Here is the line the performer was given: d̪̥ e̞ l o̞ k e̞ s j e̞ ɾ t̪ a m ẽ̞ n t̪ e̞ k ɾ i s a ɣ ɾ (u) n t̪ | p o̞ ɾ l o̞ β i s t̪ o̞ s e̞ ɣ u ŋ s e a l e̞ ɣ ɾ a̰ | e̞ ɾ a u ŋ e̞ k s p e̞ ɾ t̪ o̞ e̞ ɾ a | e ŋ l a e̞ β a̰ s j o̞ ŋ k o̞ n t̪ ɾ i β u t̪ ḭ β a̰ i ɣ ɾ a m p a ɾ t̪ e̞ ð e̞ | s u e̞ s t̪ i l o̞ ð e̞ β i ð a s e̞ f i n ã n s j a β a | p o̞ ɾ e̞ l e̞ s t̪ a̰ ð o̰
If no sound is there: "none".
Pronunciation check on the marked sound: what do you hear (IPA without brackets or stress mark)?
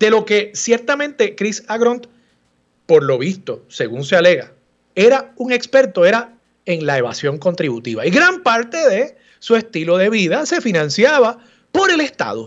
o